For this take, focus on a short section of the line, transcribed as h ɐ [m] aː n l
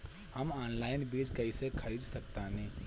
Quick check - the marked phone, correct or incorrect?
correct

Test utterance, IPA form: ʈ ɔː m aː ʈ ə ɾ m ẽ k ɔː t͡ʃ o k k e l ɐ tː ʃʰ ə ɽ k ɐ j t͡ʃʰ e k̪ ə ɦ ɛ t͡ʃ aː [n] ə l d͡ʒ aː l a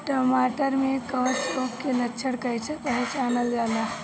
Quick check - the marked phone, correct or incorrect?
correct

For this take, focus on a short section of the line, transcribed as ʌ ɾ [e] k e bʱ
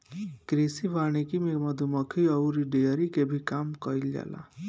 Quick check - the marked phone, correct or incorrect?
incorrect: i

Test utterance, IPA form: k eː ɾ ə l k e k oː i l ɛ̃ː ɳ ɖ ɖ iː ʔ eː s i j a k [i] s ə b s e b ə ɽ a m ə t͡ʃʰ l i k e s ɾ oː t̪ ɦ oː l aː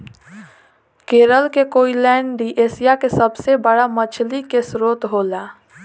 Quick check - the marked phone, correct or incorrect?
incorrect: e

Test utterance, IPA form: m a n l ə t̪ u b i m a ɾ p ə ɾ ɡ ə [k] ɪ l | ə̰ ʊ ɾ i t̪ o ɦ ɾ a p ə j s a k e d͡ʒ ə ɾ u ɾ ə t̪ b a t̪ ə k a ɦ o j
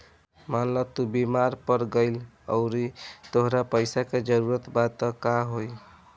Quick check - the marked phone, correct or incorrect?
incorrect: none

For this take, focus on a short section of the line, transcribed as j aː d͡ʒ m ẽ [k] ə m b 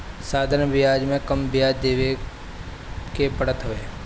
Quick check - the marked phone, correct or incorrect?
correct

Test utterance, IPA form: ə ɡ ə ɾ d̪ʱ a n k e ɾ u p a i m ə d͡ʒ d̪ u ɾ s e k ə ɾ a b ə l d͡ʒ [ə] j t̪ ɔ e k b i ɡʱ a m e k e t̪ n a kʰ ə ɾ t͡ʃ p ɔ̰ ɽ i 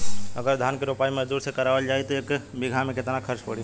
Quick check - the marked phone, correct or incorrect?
incorrect: a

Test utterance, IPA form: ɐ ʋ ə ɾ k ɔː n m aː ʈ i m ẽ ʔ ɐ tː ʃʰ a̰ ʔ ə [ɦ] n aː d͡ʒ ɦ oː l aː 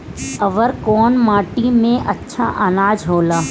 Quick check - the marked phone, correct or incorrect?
incorrect: none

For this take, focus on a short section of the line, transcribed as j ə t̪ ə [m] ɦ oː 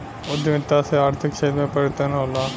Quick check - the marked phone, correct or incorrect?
incorrect: n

